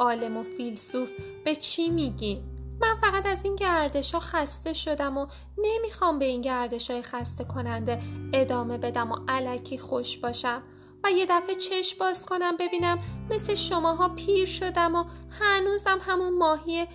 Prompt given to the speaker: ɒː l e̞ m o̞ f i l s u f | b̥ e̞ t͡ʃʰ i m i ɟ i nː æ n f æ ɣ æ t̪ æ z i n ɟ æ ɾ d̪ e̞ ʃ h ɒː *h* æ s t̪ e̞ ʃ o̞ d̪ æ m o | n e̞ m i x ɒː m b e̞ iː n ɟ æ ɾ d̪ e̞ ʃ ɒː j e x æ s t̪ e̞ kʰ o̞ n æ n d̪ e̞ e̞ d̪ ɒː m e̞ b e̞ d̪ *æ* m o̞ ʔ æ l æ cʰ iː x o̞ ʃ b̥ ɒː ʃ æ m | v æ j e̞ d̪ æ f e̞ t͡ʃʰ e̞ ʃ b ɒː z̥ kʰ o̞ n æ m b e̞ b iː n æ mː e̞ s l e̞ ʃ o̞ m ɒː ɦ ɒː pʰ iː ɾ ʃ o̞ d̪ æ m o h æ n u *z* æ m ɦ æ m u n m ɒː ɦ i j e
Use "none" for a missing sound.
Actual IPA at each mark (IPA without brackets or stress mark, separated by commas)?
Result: x, æ, z